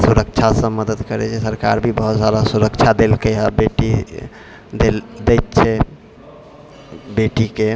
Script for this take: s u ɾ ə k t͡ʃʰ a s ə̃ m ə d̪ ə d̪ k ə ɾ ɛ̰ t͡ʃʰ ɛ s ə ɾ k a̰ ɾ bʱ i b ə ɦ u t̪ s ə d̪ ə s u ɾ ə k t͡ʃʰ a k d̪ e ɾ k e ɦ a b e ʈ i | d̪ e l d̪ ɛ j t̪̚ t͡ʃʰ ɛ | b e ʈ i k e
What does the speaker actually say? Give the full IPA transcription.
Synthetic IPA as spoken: s u ɾ ə k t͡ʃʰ a s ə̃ m ə d̪ ə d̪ k ə ɾ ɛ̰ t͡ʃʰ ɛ s ə ɾ k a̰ ɾ bʱ i b ə ɦ u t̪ s a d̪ a s u ɾ ə k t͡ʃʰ a d̪ e l k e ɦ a b e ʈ i | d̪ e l d̪ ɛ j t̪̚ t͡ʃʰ ɛ | b e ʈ i k e